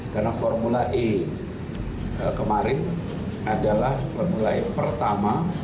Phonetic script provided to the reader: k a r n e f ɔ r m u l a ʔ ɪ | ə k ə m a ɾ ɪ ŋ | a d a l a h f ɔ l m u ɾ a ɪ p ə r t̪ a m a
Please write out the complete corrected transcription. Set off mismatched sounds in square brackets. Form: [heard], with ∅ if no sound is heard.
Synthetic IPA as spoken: k a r n [a] f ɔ r m u l a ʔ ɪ | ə k ə m a ɾ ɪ [n] | a d a l a h f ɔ [r] m u [l] a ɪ p ə r t̪ a m a

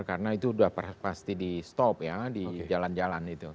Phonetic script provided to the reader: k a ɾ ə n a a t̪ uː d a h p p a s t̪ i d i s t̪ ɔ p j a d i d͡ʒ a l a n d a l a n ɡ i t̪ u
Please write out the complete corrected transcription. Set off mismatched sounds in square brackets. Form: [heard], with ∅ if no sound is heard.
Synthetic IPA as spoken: k a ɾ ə n a [i] t̪ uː d a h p p a s t̪ i d i s t̪ ɔ p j a d i d͡ʒ a l a n [d͡ʒ] a l a n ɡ i t̪ u

